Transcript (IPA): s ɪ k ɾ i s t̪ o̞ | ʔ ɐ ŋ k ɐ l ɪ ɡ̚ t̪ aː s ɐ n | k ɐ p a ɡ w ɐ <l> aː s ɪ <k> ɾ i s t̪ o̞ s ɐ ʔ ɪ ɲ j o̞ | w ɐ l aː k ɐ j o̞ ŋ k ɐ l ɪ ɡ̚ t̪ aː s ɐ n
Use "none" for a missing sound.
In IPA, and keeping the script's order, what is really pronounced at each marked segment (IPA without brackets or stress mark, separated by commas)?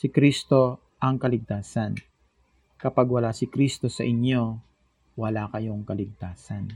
l, k